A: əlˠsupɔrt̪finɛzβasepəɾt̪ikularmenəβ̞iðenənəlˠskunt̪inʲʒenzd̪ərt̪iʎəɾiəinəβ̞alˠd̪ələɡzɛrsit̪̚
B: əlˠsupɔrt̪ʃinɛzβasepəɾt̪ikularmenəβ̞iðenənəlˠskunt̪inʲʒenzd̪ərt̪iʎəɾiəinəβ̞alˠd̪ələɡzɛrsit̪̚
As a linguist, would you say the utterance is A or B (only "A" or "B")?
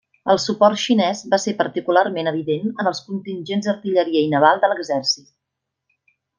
B